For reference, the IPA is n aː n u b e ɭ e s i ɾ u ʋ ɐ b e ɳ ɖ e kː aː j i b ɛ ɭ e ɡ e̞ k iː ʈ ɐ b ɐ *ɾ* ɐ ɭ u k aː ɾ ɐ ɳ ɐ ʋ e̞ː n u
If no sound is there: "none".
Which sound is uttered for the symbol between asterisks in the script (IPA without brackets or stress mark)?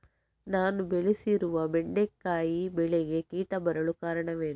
ɾ